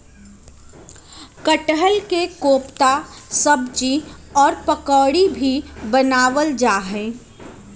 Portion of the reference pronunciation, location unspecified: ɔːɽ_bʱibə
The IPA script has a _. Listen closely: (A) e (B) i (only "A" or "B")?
B